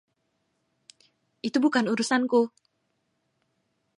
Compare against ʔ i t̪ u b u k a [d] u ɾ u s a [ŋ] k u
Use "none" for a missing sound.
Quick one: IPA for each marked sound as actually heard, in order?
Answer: n, n

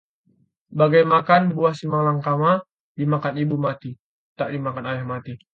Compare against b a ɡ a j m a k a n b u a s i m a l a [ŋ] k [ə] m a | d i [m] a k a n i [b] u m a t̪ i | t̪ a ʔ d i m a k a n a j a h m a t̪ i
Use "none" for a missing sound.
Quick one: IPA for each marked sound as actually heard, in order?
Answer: ŋ, a, m, b

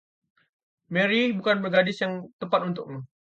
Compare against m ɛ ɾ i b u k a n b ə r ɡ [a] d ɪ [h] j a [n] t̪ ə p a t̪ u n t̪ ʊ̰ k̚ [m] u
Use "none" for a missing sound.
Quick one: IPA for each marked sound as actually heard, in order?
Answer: a, s, ŋ, m

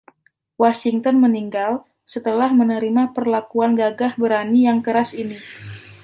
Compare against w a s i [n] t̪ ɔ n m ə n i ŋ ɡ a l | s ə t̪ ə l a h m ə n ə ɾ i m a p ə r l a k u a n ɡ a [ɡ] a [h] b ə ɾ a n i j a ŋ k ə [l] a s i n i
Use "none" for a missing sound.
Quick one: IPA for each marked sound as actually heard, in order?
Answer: ŋ, ɡ, h, ɾ

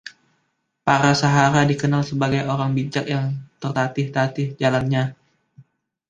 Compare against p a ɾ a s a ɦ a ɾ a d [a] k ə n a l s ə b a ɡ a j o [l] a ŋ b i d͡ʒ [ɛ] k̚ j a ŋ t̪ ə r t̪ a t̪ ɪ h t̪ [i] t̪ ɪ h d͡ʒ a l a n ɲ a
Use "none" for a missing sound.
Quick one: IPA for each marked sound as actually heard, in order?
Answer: i, ɾ, a, a

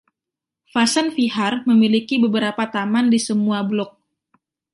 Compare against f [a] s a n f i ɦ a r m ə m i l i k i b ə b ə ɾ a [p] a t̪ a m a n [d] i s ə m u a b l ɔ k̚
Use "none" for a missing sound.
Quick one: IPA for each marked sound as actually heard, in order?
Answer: a, p, d

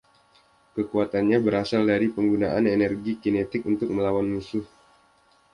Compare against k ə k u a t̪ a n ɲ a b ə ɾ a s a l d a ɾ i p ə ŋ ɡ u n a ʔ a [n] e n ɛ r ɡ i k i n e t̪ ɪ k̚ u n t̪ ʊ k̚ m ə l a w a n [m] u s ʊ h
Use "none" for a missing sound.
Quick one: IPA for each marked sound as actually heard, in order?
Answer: n, m

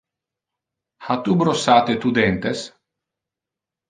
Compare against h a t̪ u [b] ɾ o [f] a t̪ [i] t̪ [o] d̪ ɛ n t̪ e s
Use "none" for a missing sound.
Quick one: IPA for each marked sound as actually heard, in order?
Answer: b, s, e, u

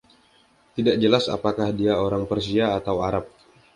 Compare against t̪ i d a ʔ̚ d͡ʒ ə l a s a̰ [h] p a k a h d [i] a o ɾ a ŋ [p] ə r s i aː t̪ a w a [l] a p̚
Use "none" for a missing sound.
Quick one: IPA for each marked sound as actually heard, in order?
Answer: none, i, p, ɾ

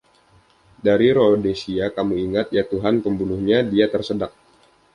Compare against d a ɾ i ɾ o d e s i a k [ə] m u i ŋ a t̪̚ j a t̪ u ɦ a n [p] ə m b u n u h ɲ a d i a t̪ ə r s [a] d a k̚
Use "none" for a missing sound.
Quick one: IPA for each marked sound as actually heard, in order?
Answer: a, p, ə

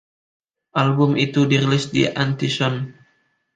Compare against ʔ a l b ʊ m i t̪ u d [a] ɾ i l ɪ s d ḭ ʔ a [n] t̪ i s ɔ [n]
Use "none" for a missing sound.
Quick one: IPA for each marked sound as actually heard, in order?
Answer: i, n, n

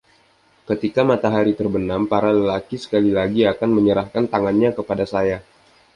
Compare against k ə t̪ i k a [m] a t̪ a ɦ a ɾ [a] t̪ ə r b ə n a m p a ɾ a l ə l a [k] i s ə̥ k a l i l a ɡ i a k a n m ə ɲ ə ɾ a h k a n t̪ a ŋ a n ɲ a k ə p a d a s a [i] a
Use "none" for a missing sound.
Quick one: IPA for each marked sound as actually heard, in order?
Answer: m, i, k, j

